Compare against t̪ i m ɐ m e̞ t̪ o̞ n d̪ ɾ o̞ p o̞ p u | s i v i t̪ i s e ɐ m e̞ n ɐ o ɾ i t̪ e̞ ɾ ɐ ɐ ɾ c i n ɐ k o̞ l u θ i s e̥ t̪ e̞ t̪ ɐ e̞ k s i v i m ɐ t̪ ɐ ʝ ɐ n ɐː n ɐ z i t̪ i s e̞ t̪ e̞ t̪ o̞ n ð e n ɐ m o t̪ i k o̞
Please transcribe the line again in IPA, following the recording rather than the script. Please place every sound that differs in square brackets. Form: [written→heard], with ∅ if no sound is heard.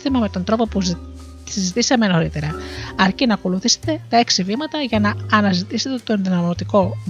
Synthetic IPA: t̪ i m ɐ m e̞ t̪ o̞ n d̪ ɾ o̞ p o̞ p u | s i [v→z] i t̪ i s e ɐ m e̞ n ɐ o ɾ i t̪ e̞ ɾ ɐ ɐ ɾ c i n ɐ k o̞ l u θ i s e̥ t̪ e̞ t̪ ɐ e̞ k s i v i m ɐ t̪ ɐ ʝ ɐ n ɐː n ɐ z i t̪ i s e̞ t̪ e̞ t̪ o̞ n ð [e→i] n ɐ m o t̪ i k o̞